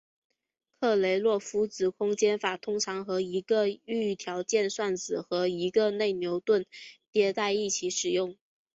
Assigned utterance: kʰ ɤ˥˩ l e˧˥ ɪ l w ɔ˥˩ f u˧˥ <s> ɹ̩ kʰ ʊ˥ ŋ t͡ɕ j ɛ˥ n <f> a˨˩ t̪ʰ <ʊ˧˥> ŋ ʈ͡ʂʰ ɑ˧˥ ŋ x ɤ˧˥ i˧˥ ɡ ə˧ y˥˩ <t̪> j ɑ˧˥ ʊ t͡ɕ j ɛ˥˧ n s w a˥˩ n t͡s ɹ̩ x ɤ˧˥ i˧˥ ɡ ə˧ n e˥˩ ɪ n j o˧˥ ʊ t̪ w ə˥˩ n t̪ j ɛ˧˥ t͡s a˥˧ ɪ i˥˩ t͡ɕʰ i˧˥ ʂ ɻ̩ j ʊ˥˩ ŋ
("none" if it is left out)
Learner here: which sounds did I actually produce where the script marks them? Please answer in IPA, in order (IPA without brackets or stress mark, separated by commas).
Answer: t͡s, f, ʊ˥, t̪ʰ